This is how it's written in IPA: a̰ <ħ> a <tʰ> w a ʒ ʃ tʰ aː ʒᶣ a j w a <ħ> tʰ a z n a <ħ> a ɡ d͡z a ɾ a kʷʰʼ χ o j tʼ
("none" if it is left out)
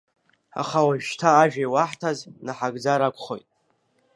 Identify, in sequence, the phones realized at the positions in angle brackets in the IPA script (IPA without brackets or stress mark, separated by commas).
χ, none, ħ, ħ